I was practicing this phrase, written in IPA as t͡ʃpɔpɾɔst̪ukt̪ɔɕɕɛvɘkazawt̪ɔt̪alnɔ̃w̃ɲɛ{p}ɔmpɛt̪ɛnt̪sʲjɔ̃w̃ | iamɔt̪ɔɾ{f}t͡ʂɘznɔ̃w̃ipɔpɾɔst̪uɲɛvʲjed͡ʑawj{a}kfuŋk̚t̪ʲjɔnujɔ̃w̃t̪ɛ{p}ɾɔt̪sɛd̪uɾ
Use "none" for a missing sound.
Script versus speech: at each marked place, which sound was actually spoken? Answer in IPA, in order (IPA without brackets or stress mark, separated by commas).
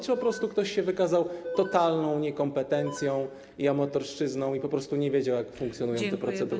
k, ʂ, a, p